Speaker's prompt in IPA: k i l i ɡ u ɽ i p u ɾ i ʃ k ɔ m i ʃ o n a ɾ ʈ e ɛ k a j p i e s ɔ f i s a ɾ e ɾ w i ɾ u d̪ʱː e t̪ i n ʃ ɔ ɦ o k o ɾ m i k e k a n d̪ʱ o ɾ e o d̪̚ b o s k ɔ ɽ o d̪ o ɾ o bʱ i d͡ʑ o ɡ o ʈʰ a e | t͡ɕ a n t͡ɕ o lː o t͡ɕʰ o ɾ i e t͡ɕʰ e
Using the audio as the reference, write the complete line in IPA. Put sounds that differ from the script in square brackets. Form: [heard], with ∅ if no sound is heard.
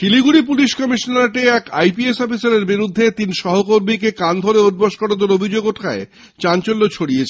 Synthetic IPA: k i l i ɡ u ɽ i p u [l] i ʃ k ɔ m i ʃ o n a ɾ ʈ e ɛ k a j p i e s ɔ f i s a ɾ e ɾ [b] i ɾ u d̪ʱː e t̪ i n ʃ ɔ ɦ o k o ɾ m i k e k a n d̪ʱ o ɾ e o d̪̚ b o [ʃ] k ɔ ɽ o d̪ o ɾ o bʱ i d͡ʑ o ɡ o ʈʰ a e | t͡ɕ a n t͡ɕ o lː o t͡ɕʰ o [ɽ] i e t͡ɕʰ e